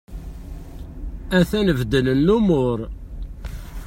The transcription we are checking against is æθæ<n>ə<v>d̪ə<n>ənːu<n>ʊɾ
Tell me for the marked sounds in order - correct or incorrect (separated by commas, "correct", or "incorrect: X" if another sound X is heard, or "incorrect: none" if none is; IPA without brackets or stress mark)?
correct, correct, correct, incorrect: m